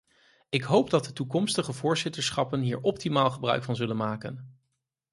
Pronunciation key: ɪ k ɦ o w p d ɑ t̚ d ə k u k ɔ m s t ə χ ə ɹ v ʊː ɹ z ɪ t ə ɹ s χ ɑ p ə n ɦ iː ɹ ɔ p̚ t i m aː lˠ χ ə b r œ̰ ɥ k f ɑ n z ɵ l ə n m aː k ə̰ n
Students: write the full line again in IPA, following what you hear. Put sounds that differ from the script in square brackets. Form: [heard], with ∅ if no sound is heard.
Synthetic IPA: ɪ k ɦ o w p d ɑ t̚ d ə [t] u k ɔ m s t ə χ ə [∅] v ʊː ɹ z ɪ t ə ɹ s χ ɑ p ə n ɦ iː ɹ ɔ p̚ t i m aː lˠ χ ə b r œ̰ ɥ k f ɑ n z ɵ l ə n m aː k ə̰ n